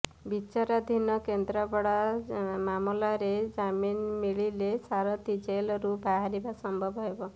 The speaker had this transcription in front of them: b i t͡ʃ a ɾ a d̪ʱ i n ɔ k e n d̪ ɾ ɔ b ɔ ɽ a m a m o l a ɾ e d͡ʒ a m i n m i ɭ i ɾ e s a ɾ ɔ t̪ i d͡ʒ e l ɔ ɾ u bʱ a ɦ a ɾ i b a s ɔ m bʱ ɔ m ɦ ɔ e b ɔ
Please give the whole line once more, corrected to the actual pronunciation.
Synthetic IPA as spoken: b i t͡ʃ a ɾ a d̪ʱ i n ɔ k e n d̪ ɾ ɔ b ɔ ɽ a m a m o l a ɾ e d͡ʒ a m i n m i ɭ i l e s a ɾ ɔ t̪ i d͡ʒ e l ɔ ɾ u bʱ a ɦ a ɾ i b a s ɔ m bʱ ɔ b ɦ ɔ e b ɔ